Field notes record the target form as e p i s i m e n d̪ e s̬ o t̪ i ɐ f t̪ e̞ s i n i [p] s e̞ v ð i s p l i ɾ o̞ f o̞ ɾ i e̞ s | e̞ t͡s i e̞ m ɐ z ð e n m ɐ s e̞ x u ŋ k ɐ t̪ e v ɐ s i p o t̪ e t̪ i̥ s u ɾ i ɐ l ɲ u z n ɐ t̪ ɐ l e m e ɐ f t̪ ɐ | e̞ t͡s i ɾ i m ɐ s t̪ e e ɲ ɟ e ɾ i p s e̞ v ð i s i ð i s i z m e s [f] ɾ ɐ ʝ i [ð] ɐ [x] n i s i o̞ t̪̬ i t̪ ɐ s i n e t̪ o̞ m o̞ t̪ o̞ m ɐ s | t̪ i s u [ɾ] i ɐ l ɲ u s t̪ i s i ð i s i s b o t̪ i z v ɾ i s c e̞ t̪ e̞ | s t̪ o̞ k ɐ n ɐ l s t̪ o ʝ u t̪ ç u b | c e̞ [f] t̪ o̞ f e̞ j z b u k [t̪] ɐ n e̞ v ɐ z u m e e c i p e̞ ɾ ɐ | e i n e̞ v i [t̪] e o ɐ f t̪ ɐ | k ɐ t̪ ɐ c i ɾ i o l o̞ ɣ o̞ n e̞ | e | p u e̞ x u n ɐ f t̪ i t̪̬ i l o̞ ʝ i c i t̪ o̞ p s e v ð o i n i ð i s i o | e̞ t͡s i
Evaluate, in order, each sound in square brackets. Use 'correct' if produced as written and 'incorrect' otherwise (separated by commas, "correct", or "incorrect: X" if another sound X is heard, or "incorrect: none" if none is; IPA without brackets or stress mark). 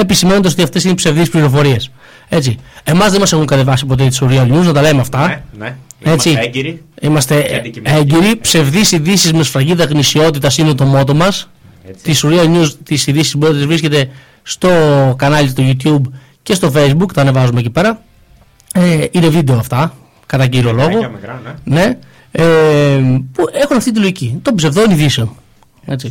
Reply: correct, correct, correct, incorrect: ɣ, correct, incorrect: s, correct, incorrect: d̪